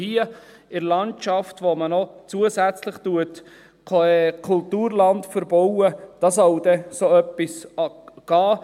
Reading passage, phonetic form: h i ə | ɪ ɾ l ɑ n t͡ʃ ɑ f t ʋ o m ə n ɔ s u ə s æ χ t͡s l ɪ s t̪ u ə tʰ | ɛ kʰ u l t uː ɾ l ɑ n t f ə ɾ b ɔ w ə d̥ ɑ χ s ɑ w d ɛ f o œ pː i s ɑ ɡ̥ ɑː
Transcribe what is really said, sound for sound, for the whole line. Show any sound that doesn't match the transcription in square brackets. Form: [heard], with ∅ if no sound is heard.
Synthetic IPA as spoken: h i ə | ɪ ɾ l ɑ n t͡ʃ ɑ f t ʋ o m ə n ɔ [t͡s] u ə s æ [∅] t͡s l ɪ [χ] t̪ u ə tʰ | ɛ kʰ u l t uː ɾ l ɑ n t f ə ɾ b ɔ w ə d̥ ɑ [∅] s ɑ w d ɛ [s] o œ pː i s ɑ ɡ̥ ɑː